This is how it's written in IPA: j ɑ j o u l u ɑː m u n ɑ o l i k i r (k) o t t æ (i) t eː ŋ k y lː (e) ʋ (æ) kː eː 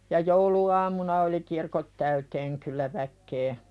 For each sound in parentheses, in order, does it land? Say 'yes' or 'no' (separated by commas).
yes, no, no, yes